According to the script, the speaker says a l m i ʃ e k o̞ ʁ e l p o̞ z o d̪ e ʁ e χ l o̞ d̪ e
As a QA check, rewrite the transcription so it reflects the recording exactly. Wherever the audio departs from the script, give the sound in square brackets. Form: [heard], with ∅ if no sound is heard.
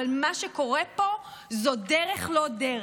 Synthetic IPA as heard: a l m [a] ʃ e k o̞ ʁ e [∅] p o̞ z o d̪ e ʁ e χ l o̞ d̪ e